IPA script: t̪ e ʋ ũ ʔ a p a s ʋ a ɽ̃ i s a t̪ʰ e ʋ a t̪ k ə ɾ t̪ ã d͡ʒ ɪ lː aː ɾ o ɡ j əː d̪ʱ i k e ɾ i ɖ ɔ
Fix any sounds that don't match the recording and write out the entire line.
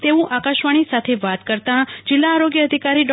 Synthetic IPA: t̪ e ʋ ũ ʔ a k a ʃ ʋ a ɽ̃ i s a t̪ʰ e ʋ a t̪ k ə ɾ t̪ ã d͡ʒ ɪ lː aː ɾ o ɡ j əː d̪ʱ i k a ɾ i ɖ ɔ